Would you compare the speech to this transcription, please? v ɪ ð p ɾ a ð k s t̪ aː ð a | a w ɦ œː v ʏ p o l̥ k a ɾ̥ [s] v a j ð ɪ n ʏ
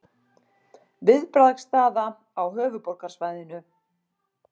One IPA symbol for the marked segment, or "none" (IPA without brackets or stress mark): s